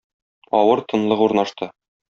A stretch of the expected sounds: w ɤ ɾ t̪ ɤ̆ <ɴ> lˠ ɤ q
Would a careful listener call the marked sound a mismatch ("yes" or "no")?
yes